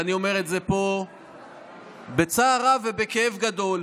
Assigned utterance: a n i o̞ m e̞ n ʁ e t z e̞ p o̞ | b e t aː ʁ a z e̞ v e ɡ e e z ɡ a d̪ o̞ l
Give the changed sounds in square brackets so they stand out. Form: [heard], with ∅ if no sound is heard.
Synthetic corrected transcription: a n i o̞ m e̞ [∅] ʁ e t z e̞ p o̞ | b e [t͡s] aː ʁ a [v] e̞ [b] e [k] e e [v] ɡ a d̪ o̞ l